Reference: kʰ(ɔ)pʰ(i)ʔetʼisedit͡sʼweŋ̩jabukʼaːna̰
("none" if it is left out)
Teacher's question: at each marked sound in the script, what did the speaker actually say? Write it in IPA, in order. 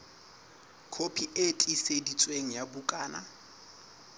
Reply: o, i

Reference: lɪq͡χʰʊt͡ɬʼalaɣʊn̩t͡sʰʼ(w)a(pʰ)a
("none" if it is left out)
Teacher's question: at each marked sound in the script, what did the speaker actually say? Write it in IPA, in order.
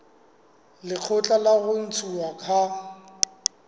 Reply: u, kʰ

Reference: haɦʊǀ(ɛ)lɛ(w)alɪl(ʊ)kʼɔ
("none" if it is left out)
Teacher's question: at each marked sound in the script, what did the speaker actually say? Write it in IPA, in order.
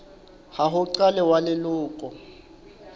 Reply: a, w, ʊː

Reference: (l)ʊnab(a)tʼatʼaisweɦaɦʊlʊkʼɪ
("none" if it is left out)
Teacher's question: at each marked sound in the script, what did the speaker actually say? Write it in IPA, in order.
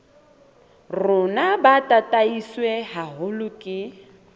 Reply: r, a

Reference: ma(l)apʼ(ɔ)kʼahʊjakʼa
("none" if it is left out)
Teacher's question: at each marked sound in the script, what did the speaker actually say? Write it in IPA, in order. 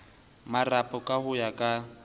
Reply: r, ɔ

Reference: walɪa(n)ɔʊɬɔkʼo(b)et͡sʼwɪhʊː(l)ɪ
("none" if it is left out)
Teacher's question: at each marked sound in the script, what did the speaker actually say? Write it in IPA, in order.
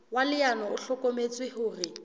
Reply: n, m, r

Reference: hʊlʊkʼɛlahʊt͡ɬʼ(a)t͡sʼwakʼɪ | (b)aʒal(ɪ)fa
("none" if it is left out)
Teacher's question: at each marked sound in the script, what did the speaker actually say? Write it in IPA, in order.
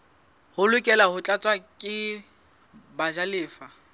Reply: a, b, ɪː

